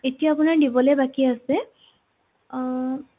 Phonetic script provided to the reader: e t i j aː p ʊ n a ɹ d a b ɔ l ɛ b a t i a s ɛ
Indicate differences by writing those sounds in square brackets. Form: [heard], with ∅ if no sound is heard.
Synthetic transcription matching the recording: e t i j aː p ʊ n a ɹ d [i] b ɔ l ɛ b a [k] i a s ɛ